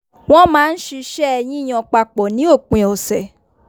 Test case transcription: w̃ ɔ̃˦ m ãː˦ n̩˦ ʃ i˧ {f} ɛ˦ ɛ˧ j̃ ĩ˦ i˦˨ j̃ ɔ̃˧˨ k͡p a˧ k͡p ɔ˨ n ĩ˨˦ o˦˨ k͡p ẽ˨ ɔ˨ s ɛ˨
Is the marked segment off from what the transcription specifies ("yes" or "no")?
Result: yes